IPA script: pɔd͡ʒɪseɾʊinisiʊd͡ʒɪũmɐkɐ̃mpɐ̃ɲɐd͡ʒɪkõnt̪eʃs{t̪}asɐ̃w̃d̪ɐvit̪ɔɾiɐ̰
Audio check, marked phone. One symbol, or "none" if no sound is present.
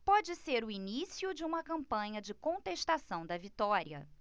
t̪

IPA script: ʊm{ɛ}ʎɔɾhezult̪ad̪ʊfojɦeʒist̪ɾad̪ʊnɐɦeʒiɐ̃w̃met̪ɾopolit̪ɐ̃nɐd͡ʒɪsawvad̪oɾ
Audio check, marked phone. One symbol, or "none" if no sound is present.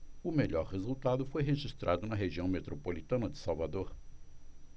e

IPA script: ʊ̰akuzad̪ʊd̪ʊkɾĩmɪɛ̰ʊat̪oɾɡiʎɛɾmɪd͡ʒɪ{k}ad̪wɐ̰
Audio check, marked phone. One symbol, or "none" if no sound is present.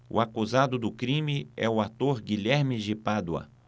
p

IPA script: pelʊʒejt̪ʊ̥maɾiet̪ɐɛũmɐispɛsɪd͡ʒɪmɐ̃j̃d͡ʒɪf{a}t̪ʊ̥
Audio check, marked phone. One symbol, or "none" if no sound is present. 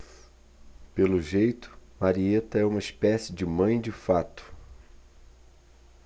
a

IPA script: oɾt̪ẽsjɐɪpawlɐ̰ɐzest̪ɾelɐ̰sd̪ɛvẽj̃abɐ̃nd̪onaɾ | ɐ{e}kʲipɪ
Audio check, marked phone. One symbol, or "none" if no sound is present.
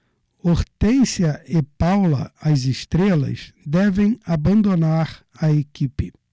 e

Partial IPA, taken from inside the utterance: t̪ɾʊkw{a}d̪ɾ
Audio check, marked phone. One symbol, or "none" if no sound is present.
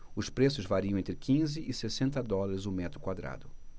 a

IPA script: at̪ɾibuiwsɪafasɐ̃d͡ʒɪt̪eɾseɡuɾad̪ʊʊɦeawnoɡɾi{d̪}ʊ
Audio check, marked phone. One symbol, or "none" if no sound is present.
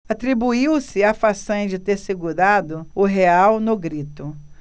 t̪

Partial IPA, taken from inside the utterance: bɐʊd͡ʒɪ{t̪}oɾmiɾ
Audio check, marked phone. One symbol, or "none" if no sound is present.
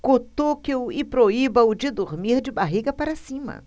d̪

